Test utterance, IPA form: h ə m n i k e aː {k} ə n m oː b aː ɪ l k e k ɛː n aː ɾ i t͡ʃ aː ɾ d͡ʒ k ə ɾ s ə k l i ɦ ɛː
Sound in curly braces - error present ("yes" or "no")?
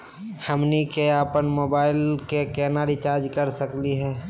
yes